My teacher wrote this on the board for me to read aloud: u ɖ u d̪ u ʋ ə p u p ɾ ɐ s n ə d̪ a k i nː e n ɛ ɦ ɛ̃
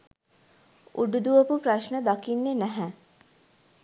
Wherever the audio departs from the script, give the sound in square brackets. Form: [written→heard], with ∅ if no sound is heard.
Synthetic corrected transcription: u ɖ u d̪ u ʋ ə p u p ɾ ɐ [s→ʃ] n ə d̪ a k i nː e n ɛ ɦ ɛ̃

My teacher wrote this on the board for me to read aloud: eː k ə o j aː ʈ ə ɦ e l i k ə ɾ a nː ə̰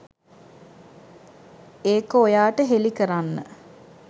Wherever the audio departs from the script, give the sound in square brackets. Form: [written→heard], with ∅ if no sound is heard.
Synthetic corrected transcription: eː k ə o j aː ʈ ə ɦ e l i k ə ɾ a nː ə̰

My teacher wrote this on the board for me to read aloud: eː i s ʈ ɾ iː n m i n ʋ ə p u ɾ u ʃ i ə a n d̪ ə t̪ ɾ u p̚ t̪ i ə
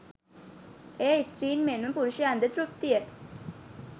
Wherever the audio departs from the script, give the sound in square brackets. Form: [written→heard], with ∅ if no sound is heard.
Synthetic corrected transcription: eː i s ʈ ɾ iː n m [i→e] n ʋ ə p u ɾ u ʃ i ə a n d̪ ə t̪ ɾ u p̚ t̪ i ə

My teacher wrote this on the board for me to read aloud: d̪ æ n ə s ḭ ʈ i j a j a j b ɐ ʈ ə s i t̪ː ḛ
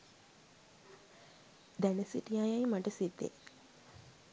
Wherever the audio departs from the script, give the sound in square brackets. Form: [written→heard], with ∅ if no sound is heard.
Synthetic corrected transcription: d̪ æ n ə s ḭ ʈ i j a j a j [b→m] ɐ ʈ ə s i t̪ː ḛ

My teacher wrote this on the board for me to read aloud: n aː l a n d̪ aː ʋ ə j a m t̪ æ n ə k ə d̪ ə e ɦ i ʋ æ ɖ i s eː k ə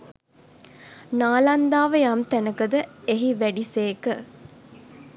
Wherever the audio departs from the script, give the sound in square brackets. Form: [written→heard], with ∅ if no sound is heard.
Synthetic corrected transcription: n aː l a n d̪ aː ʋ ə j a m t̪ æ n ə k ə d̪ ə e ɦ i ʋ æ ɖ i s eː k ə

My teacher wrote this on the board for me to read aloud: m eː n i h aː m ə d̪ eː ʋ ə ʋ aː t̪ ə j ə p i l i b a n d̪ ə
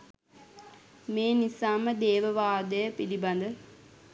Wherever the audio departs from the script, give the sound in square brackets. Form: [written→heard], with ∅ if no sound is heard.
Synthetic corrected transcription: m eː n i [h→s] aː m ə d̪ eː ʋ ə ʋ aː [t̪→d̪] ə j ə p i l i b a n d̪ ə

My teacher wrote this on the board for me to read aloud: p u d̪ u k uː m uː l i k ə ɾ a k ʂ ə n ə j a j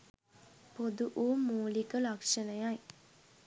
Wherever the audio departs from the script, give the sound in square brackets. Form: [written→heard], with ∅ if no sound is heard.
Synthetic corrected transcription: p [u→o] d̪ u [k→ʔ] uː m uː l i k ə [ɾ→l] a k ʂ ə n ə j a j

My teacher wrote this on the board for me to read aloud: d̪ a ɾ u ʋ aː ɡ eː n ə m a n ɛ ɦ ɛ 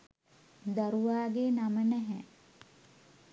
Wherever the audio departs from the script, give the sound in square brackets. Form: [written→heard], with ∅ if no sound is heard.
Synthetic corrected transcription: d̪ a ɾ u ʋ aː ɡ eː n [ə→a] m [a→ə] n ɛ ɦ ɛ

